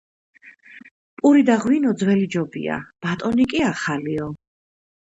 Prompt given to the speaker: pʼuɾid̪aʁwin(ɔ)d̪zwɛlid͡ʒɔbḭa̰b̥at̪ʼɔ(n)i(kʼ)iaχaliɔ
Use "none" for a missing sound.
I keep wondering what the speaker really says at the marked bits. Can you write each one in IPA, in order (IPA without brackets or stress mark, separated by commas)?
ɔ, n, kʼ